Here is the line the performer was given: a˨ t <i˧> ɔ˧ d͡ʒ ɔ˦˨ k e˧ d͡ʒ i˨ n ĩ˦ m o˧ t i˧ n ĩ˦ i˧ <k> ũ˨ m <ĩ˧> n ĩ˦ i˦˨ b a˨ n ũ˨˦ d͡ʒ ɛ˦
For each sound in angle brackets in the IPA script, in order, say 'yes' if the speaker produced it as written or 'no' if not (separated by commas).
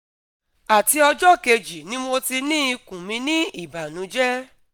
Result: yes, yes, yes